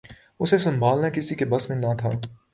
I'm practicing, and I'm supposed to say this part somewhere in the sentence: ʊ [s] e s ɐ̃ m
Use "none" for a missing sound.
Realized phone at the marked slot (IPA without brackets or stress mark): s